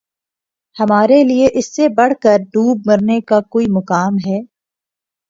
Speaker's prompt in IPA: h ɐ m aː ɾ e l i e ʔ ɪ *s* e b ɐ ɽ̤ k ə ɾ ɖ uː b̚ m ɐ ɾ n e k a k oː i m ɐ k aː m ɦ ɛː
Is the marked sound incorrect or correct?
incorrect